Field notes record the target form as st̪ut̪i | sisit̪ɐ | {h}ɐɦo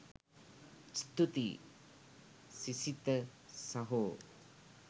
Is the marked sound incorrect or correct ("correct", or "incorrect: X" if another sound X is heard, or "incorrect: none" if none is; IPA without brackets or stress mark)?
incorrect: s